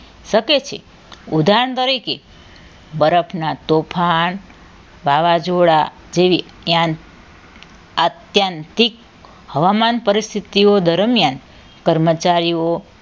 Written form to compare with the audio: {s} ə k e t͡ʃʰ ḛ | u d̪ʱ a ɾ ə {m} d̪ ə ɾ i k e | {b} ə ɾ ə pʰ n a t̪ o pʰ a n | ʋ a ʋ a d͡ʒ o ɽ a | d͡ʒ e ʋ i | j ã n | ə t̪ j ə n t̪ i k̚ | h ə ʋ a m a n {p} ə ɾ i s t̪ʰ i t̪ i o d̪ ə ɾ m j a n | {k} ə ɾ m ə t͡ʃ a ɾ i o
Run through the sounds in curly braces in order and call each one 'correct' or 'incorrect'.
incorrect: ʃ, incorrect: ɳ, correct, correct, correct

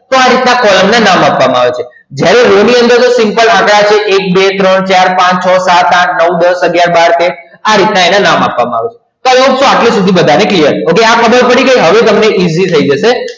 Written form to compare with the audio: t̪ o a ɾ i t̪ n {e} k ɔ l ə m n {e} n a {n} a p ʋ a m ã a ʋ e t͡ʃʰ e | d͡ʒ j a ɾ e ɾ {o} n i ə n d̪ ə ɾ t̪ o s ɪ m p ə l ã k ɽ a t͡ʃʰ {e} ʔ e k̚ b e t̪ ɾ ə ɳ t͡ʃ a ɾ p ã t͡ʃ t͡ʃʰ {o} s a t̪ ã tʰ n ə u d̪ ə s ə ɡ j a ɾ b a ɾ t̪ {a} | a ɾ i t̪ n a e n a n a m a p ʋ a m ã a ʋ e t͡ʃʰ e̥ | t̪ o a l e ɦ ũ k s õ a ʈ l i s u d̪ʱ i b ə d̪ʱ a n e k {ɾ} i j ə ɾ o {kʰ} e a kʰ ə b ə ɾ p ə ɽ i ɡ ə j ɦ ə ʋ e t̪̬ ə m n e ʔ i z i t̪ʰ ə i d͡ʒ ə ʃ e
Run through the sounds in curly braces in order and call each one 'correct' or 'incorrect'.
incorrect: a, incorrect: a, incorrect: m, correct, correct, incorrect: ɔ, incorrect: e, incorrect: l, incorrect: k

